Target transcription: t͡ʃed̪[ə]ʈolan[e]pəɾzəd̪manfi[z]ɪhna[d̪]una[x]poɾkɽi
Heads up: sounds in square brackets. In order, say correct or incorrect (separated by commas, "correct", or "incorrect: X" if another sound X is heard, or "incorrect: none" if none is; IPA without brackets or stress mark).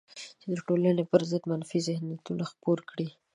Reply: correct, correct, correct, incorrect: t̪, correct